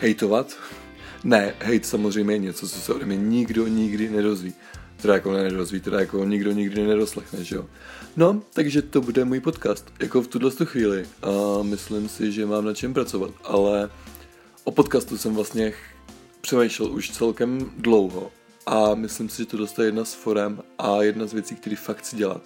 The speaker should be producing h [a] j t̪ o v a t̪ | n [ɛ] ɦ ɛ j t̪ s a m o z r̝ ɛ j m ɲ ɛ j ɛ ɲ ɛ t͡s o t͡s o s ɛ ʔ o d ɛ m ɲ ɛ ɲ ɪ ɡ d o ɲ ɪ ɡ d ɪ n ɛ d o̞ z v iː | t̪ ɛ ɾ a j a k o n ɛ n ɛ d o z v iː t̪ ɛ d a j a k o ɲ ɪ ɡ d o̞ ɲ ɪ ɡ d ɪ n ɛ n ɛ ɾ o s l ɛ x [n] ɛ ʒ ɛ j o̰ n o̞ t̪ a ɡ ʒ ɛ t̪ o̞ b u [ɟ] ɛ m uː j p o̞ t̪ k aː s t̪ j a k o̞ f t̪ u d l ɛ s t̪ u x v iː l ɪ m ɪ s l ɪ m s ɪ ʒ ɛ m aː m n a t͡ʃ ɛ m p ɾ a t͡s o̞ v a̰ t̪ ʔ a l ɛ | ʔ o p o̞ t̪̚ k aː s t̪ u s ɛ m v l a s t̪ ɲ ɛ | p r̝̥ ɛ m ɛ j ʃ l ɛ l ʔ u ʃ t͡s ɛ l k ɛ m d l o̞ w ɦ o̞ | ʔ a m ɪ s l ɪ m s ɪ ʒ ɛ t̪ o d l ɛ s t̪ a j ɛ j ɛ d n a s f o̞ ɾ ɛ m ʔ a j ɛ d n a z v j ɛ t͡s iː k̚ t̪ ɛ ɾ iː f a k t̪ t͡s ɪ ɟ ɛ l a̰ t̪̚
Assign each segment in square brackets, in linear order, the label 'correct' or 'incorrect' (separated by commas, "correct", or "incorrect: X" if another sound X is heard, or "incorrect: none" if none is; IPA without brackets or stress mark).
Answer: incorrect: ɛ, correct, correct, incorrect: d